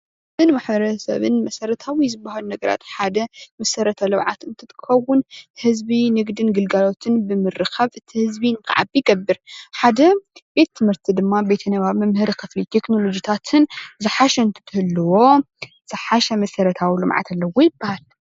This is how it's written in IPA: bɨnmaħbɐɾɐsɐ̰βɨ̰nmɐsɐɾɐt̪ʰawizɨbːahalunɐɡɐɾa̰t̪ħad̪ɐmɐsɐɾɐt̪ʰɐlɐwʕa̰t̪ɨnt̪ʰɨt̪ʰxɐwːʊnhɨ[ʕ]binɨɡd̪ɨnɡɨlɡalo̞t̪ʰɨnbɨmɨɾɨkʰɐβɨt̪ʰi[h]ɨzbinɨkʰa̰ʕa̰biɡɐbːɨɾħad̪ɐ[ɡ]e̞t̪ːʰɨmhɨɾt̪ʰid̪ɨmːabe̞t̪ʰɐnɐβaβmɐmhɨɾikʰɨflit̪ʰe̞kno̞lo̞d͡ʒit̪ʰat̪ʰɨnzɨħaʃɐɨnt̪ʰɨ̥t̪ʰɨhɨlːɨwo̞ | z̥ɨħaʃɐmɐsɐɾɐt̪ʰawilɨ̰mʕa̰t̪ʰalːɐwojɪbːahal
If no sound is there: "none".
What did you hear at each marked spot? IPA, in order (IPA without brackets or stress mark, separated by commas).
z, h, b